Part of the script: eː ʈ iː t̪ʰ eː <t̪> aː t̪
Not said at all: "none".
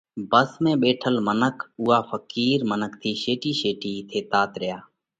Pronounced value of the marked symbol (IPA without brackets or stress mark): t̪